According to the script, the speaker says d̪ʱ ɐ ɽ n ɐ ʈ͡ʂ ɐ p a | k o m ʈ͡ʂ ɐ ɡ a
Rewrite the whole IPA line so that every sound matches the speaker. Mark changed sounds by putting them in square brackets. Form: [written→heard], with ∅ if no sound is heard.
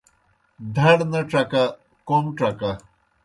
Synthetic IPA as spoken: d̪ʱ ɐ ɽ n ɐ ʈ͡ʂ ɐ [p→k] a | k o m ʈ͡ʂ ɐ [ɡ→k] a